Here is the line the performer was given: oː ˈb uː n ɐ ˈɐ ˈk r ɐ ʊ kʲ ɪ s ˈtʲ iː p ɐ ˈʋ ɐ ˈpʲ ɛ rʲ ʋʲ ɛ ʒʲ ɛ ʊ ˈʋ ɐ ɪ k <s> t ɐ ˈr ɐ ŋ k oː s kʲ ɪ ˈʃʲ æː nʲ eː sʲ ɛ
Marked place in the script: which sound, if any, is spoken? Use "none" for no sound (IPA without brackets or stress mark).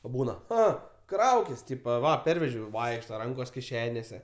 ʃ